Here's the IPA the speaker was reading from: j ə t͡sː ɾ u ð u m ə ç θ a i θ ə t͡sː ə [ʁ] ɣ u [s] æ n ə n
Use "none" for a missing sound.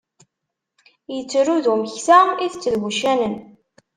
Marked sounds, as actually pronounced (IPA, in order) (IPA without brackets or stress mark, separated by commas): ð, ʃ